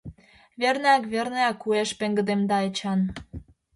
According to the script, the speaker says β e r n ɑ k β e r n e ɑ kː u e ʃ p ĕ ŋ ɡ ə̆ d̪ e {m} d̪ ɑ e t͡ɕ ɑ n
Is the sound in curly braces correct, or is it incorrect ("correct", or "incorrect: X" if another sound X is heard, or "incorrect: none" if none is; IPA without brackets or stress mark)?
correct